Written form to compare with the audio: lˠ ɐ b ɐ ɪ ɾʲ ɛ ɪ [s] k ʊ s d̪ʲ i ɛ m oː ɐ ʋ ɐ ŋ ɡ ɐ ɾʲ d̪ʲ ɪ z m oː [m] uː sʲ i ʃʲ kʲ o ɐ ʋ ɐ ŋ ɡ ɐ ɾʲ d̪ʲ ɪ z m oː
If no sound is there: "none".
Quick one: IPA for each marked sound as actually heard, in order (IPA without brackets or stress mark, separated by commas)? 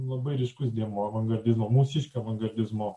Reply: ʃ, m